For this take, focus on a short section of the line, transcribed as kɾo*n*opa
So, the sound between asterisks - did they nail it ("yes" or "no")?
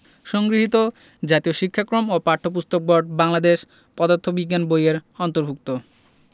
no